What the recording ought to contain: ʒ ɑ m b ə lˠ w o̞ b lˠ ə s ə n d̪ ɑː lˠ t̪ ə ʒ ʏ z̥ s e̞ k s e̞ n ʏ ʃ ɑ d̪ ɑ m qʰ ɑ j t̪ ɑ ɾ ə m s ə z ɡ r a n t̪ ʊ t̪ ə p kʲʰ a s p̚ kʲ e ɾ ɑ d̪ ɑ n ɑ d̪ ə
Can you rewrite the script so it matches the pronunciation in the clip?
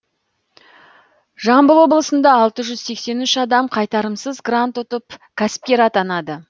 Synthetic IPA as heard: ʒ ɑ m b ə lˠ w o̞ b lˠ ə s ə n d̪ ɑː lˠ t̪ ə ʒ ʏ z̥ s e̞ k s e̞ n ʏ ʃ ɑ d̪ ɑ m qʰ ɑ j t̪ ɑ ɾ ə m s ə z ɡ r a n t̪ ʊ t̪ ə p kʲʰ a s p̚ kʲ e ɾ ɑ t̪ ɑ n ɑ d̪ ə

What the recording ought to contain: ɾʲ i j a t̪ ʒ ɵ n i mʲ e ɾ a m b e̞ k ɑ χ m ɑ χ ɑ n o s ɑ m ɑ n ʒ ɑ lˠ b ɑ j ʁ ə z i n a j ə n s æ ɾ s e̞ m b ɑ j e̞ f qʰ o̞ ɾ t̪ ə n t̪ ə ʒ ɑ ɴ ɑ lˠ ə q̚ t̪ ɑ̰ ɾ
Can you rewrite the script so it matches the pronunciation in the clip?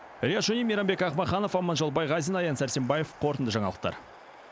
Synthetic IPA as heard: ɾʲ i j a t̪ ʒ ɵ n i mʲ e ɾ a m b e̞ k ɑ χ m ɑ χ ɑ n o f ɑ m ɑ n ʒ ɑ lˠ b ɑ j ʁ ɑ z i n ɑ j ɑ n s æ ɾ s e̞ m b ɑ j e̞ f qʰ o̞ ɾ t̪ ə n d̪ ə ʒ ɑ ɴ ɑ lˠ ə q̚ t̪ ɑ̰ ɾ

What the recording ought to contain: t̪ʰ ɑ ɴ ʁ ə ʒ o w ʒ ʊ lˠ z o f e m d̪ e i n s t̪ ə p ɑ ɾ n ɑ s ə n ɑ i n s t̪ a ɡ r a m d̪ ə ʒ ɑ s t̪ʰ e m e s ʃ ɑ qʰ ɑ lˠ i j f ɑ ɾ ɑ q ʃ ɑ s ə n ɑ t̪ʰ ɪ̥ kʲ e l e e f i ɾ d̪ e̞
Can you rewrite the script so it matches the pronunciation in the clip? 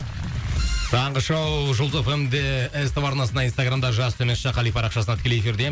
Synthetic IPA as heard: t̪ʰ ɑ ɴ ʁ ə ʃ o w ʒ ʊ lˠ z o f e m d̪ e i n s t̪ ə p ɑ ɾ n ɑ s ə n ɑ i n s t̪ a ɡ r a m d̪ ɑ ʒ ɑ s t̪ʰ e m e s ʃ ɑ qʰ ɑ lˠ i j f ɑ ɾ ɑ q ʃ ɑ s ə n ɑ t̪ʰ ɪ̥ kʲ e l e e f i ɾ d̪ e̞

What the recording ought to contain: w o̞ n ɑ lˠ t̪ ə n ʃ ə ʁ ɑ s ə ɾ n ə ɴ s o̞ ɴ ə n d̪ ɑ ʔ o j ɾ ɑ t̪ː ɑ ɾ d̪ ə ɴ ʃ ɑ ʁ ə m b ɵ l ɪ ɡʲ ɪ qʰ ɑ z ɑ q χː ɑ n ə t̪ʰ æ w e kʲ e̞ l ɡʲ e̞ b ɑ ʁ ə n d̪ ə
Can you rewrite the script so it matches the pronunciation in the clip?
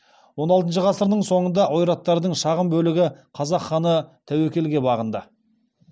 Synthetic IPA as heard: w o̞ n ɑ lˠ t̪ ə n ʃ ə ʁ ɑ s ə ɾ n ə ɴ s o̞ ɴ ə n d̪ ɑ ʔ o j ɾ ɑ t̪ː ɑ ɾ d̪ ə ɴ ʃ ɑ ʁ ə m b ɵ l ɪ ɡʲ ɪ qʰ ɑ z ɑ q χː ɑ n ə t̪ʰ æ w e kʲ e̞ l ɡʲ e̞ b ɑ ʁ ə n d̪ ə

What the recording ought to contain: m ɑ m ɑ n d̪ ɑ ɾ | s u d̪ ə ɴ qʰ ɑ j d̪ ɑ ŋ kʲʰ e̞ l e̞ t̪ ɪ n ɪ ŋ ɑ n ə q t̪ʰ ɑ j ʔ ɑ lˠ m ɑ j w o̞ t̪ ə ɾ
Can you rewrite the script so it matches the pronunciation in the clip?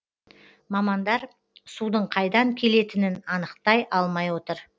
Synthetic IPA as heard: m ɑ m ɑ n d̪ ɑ ɾ | s u d̪ ə ɴ qʰ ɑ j d̪ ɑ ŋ kʲʰ e̞ l e̞ t̪ ɪ n ɪ n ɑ n ə q t̪ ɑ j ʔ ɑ lˠ m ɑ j w o̞ t̪ ə ɾ

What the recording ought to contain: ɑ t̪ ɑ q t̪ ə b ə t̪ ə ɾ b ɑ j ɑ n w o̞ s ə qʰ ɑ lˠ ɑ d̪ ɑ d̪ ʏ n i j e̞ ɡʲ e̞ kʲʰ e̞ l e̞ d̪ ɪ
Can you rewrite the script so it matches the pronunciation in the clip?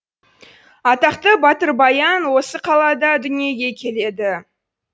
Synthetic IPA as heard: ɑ t̪ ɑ q t̪ ə b ɑ t̪ ə ɾ b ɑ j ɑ n w o̞ s ə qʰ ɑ lˠ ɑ d̪ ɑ d̪ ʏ n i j e̞ ɡʲ e̞ kʲʰ e̞ l e̞ d̪ ɪ

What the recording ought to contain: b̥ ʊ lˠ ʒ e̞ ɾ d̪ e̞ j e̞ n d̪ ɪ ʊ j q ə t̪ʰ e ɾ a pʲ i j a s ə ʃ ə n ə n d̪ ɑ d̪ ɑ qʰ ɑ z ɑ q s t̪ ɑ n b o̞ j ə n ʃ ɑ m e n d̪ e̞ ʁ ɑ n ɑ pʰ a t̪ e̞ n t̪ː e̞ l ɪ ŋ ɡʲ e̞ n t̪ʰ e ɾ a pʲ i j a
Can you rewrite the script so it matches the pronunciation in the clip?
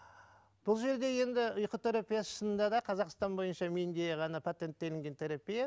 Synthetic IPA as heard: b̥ ʊ lˠ ʒ e̞ ɾ d̪ e̞ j e̞ n d̪ ɪ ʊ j q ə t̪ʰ e ɾ a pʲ i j a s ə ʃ ə n ə n d̪ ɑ d̪ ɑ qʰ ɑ z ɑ q s t̪ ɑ n b o̞ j ə n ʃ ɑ m e n d̪ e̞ ʁ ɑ n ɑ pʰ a t̪ e̞ n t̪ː e̞ l ɪ ŋ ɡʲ e̞ n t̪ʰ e ɾ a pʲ i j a

